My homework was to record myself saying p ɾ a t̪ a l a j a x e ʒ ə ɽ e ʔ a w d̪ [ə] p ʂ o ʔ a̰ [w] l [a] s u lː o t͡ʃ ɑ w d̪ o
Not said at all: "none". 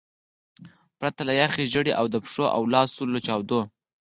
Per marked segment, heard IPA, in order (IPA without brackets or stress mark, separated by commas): ə, w, ɑ